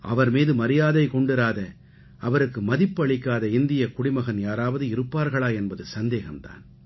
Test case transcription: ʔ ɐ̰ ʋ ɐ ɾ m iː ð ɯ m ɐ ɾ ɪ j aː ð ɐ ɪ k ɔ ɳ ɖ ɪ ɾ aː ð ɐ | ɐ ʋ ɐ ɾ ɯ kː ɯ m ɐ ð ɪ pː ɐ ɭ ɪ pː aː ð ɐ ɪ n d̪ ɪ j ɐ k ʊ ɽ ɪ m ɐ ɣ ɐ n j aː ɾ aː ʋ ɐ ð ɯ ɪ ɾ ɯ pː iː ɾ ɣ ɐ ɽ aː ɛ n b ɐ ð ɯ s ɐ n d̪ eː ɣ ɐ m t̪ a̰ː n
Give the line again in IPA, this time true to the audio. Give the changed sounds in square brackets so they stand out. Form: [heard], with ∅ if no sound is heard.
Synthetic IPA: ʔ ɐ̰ ʋ ɐ ɾ m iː ð ɯ m ɐ ɾ ɪ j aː ð ɐ ɪ k ɔ ɳ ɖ ɪ ɾ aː ð ɐ | ɐ ʋ ɐ ɾ ɯ kː ɯ m ɐ ð ɪ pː ɐ ɭ ɪ [kː] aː ð ɐ ɪ n d̪ ɪ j ɐ k ʊ ɽ ɪ m ɐ ɣ ɐ n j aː ɾ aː ʋ ɐ ð ɯ ɪ ɾ ɯ pː [aː] ɾ ɣ ɐ [ɭ] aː ɛ n b ɐ ð ɯ s ɐ n d̪ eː ɣ ɐ m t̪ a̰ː n